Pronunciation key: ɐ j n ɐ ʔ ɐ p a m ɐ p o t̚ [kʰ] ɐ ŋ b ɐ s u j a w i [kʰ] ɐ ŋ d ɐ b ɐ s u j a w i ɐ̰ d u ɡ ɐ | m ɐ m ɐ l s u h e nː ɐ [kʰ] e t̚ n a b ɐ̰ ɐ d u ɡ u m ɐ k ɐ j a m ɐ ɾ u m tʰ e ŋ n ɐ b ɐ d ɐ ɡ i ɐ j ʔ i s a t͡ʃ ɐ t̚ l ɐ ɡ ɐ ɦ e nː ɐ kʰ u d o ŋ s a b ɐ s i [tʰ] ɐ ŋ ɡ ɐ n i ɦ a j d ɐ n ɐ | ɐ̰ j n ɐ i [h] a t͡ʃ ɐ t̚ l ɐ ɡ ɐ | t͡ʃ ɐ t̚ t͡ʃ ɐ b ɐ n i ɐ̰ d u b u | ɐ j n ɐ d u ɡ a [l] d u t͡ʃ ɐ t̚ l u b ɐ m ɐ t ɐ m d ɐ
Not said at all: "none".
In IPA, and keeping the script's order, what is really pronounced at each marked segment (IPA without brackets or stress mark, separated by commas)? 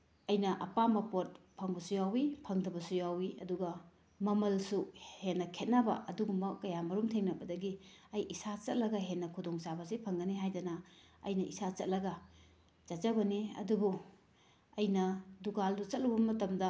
pʰ, pʰ, kʰ, pʰ, s, l